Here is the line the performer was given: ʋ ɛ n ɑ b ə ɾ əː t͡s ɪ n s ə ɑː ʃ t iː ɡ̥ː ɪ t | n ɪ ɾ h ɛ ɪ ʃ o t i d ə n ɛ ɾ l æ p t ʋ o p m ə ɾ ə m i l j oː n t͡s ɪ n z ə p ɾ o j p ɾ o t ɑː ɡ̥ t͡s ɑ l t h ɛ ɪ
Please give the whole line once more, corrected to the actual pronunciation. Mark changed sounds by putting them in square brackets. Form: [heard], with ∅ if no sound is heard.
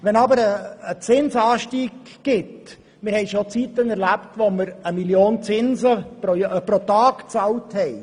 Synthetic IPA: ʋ ɛ n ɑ b ə ɾ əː t͡s ɪ n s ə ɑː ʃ t iː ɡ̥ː ɪ t | [m] ɪ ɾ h ɛ ɪ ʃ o [t͡s] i [t] ə n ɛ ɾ l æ p t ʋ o [∅] m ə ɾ ə m i l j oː n t͡s ɪ n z ə p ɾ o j p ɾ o t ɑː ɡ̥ t͡s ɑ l t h ɛ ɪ